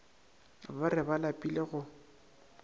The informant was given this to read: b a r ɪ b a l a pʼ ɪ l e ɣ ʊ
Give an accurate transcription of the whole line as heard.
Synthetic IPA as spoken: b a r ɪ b a l a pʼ i l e ɣ ʊ